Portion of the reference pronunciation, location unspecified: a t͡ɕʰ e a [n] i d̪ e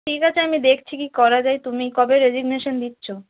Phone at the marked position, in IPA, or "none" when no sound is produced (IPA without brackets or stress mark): m